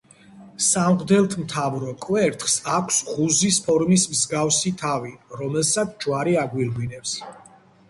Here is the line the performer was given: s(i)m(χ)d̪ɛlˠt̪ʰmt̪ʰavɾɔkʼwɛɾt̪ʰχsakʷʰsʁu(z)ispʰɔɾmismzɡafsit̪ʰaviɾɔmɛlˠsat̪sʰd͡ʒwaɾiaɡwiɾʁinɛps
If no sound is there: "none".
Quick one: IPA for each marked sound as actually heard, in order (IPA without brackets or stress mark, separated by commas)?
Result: a, ʁ, z